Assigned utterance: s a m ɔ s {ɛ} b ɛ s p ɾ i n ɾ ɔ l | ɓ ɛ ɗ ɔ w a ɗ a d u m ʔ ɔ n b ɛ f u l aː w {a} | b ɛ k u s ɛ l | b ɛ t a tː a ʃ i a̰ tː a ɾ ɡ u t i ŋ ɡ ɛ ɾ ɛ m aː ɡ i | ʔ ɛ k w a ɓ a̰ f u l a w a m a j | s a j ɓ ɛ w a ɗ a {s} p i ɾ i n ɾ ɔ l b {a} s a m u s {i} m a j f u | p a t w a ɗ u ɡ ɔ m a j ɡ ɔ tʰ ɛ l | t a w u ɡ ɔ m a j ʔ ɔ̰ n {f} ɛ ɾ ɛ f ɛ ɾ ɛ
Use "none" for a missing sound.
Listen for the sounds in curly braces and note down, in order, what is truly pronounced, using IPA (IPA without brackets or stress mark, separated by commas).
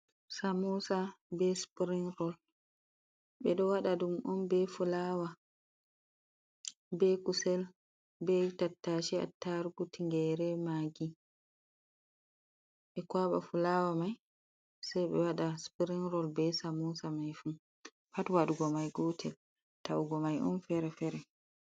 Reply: a, a, s, ɛ, a, f